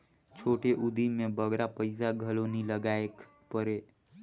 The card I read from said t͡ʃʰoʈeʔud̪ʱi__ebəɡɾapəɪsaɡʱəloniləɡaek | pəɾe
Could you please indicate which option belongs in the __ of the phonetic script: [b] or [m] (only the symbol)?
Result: m